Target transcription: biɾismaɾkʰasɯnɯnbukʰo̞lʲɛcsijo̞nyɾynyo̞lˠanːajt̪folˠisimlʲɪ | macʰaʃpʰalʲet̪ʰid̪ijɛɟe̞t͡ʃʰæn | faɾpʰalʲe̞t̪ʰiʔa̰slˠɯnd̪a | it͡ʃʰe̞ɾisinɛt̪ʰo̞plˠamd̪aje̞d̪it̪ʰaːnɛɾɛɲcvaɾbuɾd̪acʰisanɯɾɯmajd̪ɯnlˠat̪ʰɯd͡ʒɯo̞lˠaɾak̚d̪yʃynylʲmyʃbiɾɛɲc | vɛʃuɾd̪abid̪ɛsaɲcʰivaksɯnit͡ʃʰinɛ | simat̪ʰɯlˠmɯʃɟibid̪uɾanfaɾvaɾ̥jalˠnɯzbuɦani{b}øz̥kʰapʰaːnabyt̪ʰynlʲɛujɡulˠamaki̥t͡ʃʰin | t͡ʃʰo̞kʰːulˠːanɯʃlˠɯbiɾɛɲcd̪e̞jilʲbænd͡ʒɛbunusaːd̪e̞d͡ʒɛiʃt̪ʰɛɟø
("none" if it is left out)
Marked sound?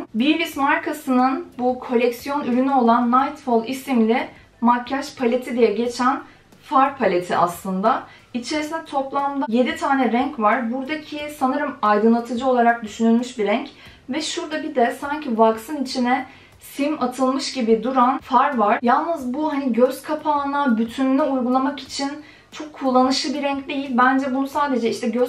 ɟ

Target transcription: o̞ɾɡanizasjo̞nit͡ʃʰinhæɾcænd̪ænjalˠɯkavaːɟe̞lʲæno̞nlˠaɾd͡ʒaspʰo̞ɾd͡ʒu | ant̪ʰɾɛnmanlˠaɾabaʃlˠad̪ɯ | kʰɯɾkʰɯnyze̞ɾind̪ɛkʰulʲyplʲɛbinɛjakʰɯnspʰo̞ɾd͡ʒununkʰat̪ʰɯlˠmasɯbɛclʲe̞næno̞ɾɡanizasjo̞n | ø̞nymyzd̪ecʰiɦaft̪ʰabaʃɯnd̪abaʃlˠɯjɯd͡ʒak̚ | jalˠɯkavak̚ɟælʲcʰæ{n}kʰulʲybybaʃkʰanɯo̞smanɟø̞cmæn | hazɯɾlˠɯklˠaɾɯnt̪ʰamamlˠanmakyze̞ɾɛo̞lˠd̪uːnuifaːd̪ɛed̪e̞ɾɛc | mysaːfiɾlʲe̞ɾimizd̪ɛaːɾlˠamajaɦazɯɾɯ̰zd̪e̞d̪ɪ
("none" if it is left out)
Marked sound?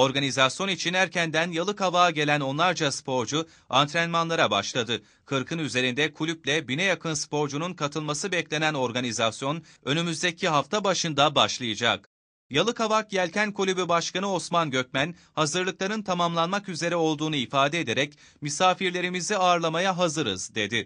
n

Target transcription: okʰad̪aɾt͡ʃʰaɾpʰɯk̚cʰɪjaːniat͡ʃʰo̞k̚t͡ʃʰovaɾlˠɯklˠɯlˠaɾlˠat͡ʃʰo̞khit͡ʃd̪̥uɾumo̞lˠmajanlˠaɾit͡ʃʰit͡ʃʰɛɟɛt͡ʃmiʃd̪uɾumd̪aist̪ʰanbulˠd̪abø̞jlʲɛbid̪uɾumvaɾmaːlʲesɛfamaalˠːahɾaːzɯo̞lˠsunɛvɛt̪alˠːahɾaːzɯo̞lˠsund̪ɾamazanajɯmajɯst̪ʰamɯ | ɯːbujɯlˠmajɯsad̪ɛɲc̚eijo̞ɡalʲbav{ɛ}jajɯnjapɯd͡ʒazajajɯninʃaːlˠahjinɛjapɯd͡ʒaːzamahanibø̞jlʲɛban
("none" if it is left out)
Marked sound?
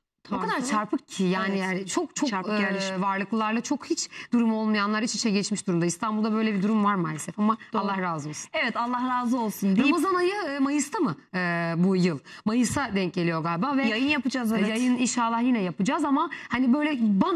ɛ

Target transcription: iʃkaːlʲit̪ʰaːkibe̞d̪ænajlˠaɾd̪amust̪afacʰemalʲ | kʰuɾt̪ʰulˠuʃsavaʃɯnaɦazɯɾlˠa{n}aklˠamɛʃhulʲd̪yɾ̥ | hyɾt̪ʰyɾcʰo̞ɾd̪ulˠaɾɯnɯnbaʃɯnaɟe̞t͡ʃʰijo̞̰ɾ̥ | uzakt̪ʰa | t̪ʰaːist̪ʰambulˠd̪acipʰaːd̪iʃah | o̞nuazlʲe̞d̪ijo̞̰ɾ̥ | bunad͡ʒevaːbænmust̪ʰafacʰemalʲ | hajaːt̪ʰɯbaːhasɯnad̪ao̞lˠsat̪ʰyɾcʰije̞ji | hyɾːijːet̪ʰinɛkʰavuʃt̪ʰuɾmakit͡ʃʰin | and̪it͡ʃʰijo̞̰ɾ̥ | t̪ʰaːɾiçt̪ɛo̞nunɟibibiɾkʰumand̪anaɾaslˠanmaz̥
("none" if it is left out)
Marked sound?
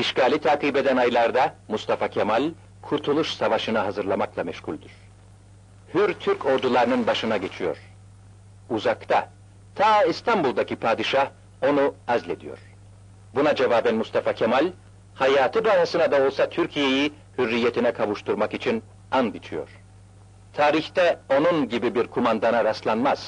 m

